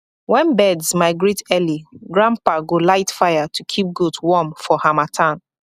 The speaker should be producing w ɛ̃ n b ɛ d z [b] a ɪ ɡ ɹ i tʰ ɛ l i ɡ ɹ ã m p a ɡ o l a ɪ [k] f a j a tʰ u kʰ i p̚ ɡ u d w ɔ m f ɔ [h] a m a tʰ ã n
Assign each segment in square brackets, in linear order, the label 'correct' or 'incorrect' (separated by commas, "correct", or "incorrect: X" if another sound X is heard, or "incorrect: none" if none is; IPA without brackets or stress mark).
incorrect: m, incorrect: t, correct